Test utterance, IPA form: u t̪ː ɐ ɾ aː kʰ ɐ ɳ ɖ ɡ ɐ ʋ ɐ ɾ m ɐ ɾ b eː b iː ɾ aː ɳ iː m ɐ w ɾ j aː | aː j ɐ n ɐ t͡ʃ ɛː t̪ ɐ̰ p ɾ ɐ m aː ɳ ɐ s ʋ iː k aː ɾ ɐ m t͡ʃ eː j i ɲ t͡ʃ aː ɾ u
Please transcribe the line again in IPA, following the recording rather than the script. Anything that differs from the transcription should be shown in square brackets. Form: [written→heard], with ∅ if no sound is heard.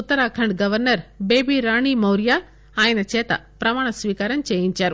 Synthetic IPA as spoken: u t̪ː ɐ ɾ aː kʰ ɐ ɳ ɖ ɡ ɐ ʋ ɐ ɾ [m→n] ɐ ɾ b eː b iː ɾ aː ɳ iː m ɐ w ɾ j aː | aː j ɐ n ɐ t͡ʃ ɛː t̪ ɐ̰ p ɾ ɐ m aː ɳ ɐ s ʋ iː k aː ɾ ɐ m t͡ʃ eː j i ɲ t͡ʃ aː ɾ u